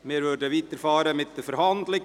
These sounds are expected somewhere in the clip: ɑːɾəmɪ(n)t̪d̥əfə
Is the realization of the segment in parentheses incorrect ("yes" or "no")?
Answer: yes